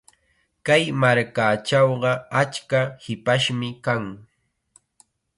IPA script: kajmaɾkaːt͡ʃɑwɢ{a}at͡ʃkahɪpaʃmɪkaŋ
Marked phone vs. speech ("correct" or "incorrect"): incorrect